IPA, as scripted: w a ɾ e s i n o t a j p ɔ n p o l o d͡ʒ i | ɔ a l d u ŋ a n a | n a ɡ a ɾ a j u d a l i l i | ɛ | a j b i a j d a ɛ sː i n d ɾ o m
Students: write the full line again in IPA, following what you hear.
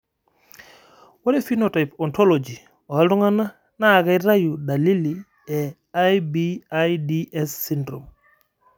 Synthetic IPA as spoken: w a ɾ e f i n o t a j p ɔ n t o l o d͡ʒ i | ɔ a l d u ŋ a n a | n a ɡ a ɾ a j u d a l i l i | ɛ | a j b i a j d i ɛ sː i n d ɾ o m